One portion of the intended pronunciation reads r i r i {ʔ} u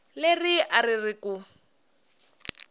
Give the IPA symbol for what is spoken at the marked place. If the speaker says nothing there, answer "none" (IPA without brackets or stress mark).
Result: k